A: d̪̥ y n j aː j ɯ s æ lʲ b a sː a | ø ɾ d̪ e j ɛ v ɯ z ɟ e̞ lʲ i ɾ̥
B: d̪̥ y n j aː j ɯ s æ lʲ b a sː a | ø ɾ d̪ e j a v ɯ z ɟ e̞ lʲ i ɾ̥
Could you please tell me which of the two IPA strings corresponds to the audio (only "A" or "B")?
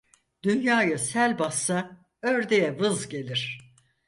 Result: A